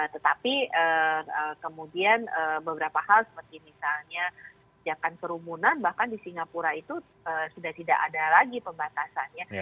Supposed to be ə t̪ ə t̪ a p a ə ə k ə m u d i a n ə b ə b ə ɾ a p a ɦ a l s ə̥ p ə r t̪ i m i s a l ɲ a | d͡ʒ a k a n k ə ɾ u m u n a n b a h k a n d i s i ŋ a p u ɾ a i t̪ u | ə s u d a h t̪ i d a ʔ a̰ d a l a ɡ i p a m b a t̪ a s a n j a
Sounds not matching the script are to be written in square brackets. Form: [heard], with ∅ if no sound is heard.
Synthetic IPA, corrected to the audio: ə t̪ ə t̪ a p [i] ə ə k ə m u d i a n ə b ə b ə ɾ a p a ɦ a l s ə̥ p ə r t̪ i m i s a l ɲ a | d͡ʒ a k a n k ə ɾ u m u n a n b a h k a n d i s i ŋ a p u ɾ a i t̪ u | ə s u d a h t̪ i d a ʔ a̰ d a l a ɡ i p [ə] m b a t̪ a s a n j a